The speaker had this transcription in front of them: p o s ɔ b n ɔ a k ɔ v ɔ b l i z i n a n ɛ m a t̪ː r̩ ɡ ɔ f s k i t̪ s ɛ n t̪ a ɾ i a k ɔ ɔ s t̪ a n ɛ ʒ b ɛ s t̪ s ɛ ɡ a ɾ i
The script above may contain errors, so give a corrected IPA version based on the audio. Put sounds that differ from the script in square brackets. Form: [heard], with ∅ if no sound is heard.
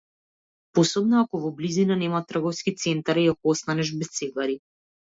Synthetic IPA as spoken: p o s ɔ b n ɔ a k ɔ v ɔ b l i z i n a n ɛ m a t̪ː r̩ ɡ ɔ f s k i t̪ s ɛ n t̪ a ɾ i a k ɔ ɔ s t̪ a n ɛ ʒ b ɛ s t̪ s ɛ ɡ a ɾ i